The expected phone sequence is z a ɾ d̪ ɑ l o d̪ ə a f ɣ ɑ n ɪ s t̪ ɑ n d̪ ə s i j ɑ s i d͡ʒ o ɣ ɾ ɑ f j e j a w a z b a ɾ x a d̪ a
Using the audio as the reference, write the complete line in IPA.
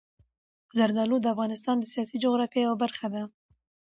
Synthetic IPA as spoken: z a ɾ d̪ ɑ l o d̪ ə a f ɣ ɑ n ɪ s t̪ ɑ n d̪ ə s i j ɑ s i d͡ʒ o ɣ ɾ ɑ f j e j a w a b a ɾ x a d̪ a